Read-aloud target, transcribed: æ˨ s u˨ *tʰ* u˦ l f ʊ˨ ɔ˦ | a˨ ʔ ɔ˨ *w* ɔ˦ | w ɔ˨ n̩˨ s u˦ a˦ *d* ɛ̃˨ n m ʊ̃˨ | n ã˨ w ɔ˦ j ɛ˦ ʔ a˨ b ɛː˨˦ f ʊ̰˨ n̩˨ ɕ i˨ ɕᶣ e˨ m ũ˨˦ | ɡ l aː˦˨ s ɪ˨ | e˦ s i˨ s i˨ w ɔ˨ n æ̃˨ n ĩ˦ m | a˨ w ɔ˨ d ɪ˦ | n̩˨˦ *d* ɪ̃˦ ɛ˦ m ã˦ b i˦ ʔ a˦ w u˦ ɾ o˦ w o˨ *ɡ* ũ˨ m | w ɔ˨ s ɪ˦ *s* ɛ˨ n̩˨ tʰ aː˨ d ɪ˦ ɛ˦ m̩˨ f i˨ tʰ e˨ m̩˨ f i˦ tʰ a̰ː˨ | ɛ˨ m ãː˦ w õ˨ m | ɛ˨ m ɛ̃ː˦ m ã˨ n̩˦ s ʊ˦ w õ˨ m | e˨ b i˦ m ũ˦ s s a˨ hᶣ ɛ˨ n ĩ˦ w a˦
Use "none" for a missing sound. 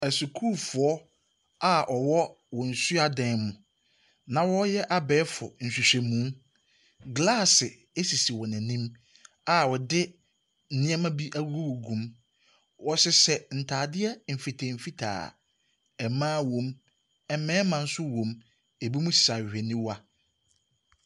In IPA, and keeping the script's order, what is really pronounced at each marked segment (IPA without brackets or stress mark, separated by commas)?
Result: kʰ, w, d, n, ɡ, s